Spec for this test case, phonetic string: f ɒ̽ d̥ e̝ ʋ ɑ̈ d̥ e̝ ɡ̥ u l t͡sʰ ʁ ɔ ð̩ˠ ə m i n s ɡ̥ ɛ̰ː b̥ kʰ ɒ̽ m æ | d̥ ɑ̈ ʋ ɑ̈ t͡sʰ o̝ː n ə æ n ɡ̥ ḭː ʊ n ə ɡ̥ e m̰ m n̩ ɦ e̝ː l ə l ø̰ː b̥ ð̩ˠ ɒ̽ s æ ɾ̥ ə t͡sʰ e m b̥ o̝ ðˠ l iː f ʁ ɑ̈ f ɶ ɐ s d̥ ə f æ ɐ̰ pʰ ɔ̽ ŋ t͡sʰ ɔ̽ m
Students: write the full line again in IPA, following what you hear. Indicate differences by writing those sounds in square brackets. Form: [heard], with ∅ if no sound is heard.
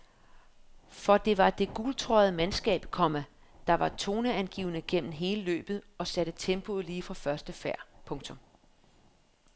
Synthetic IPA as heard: f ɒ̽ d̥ e̝ ʋ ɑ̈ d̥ e̝ ɡ̥ u l t͡sʰ ʁ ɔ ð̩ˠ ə m [æ] n s ɡ̥ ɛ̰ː b̥ kʰ ɒ̽ m æ | d̥ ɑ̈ ʋ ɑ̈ t͡sʰ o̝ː n ə æ n ɡ̥ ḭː ʊ n ə ɡ̥ e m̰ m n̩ ɦ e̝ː l ə l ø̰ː b̥ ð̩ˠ ɒ̽ s æ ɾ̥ ə t͡sʰ e m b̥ o̝ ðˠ l iː f ʁ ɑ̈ f ɶ ɐ s d̥ ə f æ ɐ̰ pʰ ɔ̽ ŋ t͡sʰ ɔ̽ m